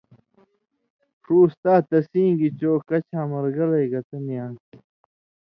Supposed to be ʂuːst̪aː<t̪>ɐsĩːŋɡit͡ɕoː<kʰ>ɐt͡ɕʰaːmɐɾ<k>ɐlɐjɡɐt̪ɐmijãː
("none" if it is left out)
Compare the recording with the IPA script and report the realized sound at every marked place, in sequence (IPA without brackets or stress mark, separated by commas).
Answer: t̪, k, ɡ